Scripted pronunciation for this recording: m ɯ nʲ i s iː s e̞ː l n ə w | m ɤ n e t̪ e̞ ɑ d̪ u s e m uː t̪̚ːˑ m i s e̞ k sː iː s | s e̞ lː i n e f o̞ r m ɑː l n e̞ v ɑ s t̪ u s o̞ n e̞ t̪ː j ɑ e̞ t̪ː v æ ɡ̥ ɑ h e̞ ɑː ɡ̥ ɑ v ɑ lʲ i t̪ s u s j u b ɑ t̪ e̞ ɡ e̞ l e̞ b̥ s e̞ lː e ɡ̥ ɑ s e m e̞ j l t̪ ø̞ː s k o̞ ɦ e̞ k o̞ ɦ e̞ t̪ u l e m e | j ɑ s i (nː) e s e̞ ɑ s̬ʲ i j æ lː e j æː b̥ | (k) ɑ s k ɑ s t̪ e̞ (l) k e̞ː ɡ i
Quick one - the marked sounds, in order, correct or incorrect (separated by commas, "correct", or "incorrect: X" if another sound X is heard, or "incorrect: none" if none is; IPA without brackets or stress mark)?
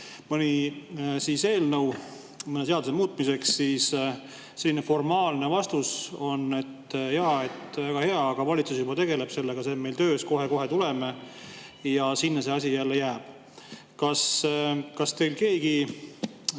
correct, correct, correct